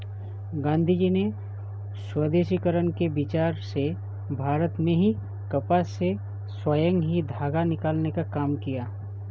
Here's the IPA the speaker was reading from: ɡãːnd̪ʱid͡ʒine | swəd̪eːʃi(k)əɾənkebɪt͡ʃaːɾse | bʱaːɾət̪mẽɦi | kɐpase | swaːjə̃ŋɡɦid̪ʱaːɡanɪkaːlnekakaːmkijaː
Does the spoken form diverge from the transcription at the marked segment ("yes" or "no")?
no